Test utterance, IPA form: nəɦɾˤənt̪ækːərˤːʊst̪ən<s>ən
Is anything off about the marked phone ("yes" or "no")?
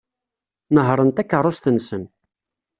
no